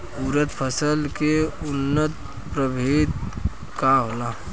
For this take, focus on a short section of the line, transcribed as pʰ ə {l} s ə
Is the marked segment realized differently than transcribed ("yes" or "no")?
yes